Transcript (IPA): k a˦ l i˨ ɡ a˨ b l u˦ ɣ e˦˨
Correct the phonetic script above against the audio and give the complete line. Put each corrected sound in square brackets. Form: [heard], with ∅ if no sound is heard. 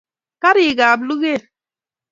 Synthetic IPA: k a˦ [ɾ] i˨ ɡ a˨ b l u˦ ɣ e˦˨